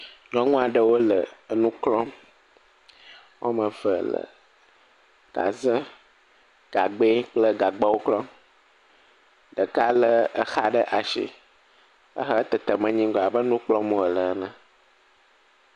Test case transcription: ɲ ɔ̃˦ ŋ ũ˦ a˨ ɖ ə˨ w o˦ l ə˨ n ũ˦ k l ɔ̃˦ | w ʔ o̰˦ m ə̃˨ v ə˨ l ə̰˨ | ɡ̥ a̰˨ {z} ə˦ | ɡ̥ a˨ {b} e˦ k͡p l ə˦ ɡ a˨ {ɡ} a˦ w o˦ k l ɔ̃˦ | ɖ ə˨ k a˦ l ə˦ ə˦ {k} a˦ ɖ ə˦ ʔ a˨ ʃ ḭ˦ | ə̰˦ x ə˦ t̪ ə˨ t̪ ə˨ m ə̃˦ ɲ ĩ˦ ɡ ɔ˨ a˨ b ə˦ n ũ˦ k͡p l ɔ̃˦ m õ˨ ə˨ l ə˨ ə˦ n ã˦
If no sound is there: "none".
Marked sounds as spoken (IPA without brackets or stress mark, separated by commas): z, ɡ͡b, ɡ͡b, x